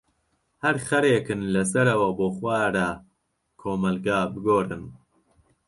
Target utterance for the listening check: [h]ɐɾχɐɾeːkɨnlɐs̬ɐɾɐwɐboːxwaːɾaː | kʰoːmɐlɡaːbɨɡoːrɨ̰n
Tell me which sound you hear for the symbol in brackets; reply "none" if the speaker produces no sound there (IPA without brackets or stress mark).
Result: h